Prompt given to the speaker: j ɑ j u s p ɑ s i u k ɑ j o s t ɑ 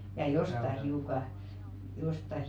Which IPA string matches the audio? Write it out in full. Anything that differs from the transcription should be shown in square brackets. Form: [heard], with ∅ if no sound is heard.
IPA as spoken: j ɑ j [o] s [t] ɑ [h] i u k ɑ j o s t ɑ